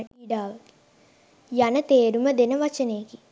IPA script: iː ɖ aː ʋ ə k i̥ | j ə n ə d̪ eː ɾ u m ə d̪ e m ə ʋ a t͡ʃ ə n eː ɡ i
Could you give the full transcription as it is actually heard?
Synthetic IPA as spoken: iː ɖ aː ʋ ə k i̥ | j a n ə t̪ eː ɾ u m ə d̪ e n ə ʋ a t͡ʃ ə n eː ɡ i